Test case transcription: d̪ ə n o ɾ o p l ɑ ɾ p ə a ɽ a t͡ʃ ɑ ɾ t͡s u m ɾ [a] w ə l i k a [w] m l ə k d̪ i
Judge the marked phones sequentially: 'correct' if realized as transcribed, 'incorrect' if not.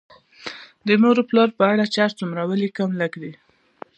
correct, incorrect

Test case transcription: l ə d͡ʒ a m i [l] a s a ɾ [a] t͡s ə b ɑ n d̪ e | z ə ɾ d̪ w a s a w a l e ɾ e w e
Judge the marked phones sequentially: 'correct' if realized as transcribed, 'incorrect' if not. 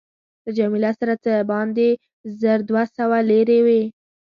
correct, correct

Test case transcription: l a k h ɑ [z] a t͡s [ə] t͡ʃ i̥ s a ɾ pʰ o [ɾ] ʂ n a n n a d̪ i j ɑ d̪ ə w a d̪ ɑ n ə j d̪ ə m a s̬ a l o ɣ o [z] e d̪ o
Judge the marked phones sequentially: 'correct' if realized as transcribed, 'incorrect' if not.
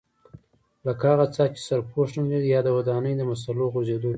incorrect, incorrect, incorrect, correct

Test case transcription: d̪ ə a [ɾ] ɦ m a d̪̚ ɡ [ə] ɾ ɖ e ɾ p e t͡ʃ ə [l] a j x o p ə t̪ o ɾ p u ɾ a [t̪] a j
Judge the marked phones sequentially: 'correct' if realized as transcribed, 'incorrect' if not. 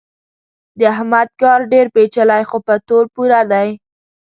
incorrect, incorrect, correct, incorrect

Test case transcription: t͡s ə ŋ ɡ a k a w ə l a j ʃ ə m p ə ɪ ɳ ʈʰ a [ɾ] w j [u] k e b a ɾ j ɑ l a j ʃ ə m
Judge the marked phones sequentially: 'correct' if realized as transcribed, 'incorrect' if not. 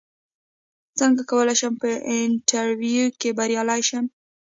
correct, correct

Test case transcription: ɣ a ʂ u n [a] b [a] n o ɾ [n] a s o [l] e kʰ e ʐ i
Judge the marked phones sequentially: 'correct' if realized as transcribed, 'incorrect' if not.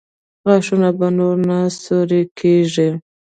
correct, correct, correct, incorrect

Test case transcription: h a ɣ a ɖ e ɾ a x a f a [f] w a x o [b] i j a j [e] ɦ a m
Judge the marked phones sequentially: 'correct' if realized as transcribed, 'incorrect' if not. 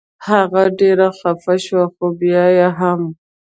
incorrect, correct, incorrect

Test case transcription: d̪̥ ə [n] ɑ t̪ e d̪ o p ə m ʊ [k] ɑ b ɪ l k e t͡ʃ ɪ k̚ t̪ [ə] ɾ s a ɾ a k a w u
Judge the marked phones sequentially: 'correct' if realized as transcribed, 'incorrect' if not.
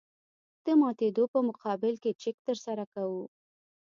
incorrect, incorrect, correct

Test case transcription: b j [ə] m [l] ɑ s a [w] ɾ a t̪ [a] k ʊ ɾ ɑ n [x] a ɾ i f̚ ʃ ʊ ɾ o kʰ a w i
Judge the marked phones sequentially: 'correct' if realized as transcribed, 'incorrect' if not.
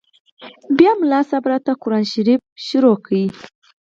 incorrect, correct, incorrect, correct, incorrect

